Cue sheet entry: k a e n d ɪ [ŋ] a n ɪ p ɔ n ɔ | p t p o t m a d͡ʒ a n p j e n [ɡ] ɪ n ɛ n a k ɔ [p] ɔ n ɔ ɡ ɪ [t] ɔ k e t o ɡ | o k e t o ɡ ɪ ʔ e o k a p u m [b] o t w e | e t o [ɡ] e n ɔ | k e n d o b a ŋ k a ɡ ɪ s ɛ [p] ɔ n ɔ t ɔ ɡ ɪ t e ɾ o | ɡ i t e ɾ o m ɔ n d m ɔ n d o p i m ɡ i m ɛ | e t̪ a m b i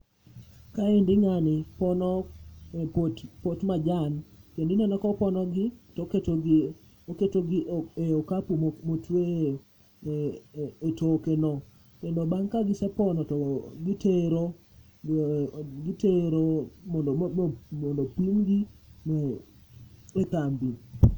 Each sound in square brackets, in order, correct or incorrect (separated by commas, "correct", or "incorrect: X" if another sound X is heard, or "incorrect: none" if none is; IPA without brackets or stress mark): correct, incorrect: d, correct, correct, incorrect: m, incorrect: k, correct